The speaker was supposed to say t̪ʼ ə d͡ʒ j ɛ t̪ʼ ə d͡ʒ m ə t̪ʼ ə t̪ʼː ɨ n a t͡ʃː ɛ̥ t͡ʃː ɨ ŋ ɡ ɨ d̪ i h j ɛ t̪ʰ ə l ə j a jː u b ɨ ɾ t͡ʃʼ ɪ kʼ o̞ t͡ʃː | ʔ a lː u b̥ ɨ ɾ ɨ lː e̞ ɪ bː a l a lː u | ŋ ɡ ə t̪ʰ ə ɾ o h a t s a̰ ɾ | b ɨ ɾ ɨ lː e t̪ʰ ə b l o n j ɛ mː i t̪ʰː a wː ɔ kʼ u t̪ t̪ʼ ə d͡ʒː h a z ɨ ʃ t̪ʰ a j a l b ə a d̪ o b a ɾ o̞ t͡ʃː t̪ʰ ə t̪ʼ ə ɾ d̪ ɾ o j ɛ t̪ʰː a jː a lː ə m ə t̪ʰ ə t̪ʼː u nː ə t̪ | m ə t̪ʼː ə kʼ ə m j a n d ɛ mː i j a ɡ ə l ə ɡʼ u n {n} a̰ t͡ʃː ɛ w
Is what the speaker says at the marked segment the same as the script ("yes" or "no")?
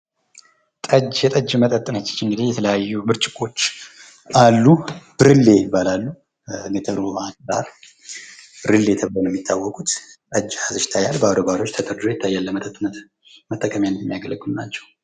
yes